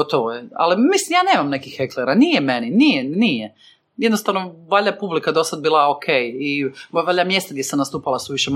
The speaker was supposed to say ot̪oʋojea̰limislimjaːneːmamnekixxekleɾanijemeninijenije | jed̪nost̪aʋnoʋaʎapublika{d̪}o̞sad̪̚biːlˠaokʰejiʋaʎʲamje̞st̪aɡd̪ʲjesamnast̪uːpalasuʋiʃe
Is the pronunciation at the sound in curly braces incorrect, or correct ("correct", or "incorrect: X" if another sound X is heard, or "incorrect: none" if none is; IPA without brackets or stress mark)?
correct